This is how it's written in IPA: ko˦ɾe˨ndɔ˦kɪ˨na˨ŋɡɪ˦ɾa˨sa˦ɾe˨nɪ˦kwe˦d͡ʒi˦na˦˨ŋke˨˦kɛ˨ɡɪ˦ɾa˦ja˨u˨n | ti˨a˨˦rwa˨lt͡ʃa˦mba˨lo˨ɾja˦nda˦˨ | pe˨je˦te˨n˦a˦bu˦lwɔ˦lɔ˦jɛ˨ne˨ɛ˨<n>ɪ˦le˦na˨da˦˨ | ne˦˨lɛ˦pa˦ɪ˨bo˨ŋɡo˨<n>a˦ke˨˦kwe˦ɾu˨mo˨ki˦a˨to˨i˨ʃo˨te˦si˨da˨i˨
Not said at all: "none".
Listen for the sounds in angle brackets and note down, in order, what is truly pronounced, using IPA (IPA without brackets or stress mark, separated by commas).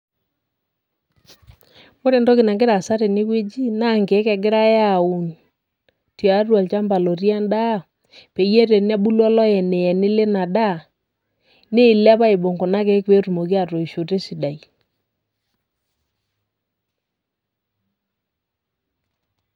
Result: n, n